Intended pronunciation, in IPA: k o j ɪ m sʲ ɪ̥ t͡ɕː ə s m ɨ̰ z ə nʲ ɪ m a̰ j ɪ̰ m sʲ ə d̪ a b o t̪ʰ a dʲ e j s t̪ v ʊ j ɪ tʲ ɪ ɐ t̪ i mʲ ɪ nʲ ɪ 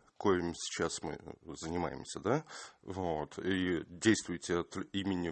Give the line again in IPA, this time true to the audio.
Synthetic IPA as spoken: k o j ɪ m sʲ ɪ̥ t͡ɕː a s m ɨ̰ z ə nʲ ɪ m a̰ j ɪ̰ m sʲ ə d̪ a v o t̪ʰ i dʲ e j s t̪ v ʊ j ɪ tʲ ɪ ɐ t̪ i mʲ ɪ nʲ ɪ